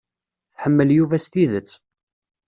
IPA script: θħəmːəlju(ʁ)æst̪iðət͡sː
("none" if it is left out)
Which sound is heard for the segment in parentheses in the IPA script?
v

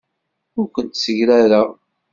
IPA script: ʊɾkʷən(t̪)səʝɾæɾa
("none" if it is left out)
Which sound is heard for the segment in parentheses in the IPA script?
t̪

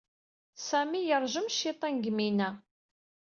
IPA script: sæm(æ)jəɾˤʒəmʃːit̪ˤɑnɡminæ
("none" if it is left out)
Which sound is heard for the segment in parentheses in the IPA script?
i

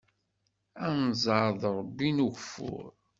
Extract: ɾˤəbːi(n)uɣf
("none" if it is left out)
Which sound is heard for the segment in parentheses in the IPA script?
n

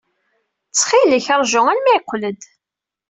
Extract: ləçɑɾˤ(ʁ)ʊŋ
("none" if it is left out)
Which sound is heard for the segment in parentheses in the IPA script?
ʒ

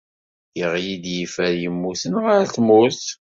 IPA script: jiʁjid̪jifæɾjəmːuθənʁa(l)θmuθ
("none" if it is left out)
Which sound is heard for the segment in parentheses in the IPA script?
ɾ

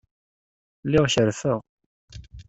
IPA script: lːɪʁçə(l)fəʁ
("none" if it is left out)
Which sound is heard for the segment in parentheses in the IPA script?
ɾ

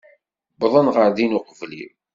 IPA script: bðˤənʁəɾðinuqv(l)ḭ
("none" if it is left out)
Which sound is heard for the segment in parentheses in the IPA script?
l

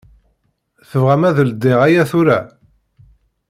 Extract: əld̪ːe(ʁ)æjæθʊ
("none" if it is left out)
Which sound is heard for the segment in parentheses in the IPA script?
ʁ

